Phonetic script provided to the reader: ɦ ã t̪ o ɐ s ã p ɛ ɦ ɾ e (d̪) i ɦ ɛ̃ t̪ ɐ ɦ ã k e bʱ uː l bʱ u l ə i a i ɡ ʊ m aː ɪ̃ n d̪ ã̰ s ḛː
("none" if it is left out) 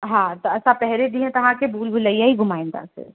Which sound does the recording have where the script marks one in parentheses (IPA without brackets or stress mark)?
d̪